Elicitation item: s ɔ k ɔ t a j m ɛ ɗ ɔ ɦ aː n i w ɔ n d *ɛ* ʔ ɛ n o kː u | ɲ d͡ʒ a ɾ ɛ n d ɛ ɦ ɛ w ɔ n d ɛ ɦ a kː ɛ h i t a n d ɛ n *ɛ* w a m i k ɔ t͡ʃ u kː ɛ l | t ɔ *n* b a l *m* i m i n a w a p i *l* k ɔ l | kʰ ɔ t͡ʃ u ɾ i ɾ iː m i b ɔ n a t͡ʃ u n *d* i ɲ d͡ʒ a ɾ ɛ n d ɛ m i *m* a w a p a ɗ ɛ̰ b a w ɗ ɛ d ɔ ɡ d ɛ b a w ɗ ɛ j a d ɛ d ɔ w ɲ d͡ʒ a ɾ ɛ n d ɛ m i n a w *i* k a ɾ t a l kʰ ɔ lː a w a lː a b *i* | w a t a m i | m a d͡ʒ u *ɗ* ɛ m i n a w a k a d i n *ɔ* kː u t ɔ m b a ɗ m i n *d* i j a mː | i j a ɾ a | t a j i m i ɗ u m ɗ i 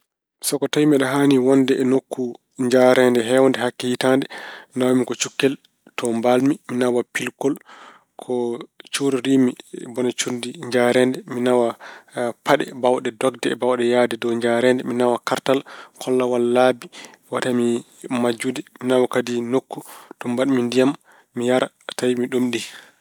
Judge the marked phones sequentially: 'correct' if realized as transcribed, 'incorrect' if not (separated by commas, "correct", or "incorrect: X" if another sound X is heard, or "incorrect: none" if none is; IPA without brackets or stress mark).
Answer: correct, incorrect: a, incorrect: m, correct, correct, correct, incorrect: n, incorrect: a, correct, incorrect: d, incorrect: o, correct